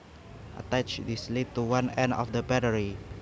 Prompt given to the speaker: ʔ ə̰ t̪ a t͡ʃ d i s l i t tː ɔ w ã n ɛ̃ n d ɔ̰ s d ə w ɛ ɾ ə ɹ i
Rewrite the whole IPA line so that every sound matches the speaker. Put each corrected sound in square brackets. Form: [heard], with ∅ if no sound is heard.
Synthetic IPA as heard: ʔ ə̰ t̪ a t͡ʃ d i s l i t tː [u] w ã n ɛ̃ n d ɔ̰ [f] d ə [b] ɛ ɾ ə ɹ i

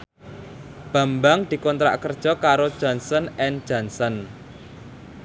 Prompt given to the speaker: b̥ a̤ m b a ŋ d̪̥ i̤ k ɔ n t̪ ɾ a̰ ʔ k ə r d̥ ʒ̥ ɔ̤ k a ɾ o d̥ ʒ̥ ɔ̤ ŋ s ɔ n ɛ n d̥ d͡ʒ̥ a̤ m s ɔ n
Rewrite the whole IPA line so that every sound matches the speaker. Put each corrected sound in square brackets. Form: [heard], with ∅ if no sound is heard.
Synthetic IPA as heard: b̥ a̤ m b a ŋ d̪̥ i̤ k ɔ n t̪ ɾ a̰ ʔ k ə r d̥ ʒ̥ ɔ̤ k a ɾ o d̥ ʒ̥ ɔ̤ [n] s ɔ n ɛ n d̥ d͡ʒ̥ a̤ [n] s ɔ n

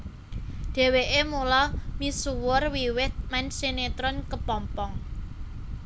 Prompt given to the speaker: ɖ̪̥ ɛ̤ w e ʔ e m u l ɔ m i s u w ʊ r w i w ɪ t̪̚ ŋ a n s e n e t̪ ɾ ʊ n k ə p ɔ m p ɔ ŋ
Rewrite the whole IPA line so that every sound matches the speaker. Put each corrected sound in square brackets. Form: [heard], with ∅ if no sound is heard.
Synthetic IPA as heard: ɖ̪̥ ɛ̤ w e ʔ e m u l ɔ m i s u w ʊ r w i w ɪ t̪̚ [m] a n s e n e t̪ ɾ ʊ n k ə p ɔ m p ɔ ŋ

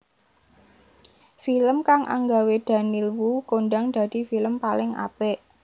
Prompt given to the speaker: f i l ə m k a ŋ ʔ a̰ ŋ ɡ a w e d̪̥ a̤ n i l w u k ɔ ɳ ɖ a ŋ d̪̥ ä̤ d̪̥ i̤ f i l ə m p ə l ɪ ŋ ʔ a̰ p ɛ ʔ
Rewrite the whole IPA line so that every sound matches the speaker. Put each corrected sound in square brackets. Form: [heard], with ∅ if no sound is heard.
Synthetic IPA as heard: f i l ə m k a ŋ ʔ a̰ ŋ ɡ a w e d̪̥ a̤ n i l w u k [o] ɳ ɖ a ŋ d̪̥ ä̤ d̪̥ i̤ f i l ə m p [a] l ɪ ŋ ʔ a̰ p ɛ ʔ

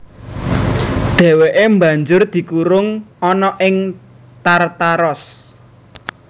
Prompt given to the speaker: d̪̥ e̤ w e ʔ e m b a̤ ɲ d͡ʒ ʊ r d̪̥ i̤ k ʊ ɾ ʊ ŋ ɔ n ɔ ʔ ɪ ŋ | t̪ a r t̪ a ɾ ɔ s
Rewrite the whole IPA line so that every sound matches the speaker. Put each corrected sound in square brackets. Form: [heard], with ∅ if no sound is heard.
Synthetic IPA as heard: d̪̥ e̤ w e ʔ e m b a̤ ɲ d͡ʒ ʊ r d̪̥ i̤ k [u] ɾ ʊ ŋ ɔ n ɔ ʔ ɪ ŋ | t̪ a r t̪ a ɾ ɔ s

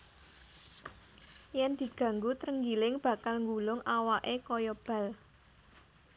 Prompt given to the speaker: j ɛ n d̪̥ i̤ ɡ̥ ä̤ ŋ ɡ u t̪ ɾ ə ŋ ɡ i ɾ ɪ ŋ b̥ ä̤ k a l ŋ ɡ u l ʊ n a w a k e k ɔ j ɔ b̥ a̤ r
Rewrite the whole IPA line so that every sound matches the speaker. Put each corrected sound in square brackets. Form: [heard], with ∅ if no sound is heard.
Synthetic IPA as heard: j ɛ n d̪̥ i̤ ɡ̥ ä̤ ŋ ɡ u t̪ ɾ ə ŋ ɡ i [l] ɪ ŋ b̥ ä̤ k a l ŋ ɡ u l ʊ [ŋ] a w a [ʔ] e k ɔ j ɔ b̥ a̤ [l]

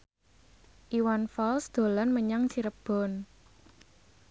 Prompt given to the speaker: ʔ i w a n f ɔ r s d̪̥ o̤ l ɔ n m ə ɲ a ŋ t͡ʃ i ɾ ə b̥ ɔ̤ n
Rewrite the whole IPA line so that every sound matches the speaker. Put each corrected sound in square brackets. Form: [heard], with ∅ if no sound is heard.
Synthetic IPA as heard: ʔ i w a n f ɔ [l] s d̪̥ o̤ l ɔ n m ə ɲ a ŋ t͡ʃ i ɾ ə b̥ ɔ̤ n

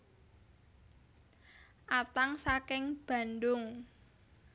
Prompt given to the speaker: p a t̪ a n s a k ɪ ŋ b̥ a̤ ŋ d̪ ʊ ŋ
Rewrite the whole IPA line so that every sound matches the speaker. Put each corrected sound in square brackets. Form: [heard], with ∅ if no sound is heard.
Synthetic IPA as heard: [ʔ] a t̪ a [ŋ] s a k ɪ ŋ b̥ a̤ [n] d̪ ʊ ŋ

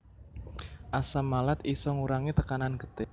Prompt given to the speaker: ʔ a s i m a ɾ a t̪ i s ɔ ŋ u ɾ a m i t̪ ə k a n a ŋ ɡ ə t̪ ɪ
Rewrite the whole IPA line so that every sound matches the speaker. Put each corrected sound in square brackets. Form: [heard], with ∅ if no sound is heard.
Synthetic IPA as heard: ʔ a s [a] m a [l] a t̪ i s ɔ ŋ u ɾ a [ŋ] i t̪ ə k a n a [n] ɡ ə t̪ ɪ

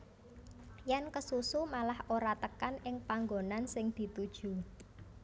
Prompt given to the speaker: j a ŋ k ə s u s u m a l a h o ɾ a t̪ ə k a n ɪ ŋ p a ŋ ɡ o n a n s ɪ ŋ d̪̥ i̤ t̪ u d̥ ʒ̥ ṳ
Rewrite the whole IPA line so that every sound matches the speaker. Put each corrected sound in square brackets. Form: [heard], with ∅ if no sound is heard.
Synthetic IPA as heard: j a [n] k ə s u s u m a l a h o ɾ a t̪ ə k a n ɪ ŋ p a ŋ ɡ o n a n s ɪ ŋ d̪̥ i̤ t̪ u d̥ ʒ̥ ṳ

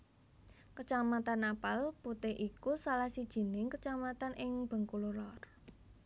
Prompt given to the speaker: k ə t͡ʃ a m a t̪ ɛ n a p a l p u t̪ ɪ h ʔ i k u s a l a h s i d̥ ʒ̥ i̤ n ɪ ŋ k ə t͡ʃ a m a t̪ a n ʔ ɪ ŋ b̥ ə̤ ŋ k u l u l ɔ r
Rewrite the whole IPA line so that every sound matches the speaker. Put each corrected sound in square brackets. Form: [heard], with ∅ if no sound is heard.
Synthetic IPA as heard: k ə t͡ʃ a m a t̪ [a] n a p a l p u t̪ ɪ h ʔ i k u s a l a h s i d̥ ʒ̥ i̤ n ɪ ŋ k ə t͡ʃ a m a t̪ a n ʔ ɪ ŋ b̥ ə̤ ŋ k u l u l ɔ r

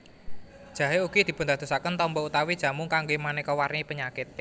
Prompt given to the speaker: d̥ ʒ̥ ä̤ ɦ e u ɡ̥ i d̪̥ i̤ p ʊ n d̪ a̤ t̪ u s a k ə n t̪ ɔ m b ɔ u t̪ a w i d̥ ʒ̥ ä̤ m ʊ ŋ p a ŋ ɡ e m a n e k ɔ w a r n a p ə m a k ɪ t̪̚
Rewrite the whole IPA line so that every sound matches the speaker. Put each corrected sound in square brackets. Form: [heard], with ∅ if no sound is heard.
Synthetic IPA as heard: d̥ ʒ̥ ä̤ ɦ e u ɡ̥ i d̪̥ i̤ p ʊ n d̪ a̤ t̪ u s a k ə n t̪ ɔ m b ɔ u t̪ a w i d̥ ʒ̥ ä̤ m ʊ ŋ [k] a ŋ ɡ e m a n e k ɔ w a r n [i] p ə [ɲ] a k ɪ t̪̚

